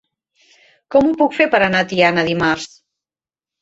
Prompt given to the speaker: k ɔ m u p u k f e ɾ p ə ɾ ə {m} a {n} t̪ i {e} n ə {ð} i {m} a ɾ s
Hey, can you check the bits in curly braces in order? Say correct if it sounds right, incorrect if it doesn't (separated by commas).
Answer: incorrect, incorrect, incorrect, correct, correct